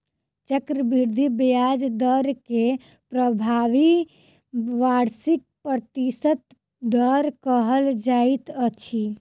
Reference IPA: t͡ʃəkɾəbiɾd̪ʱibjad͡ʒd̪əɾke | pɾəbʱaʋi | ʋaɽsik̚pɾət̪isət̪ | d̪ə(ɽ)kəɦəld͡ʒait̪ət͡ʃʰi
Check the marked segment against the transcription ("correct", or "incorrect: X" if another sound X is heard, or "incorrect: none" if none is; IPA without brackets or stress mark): incorrect: ɾ